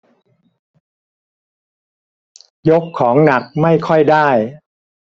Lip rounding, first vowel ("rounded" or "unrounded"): rounded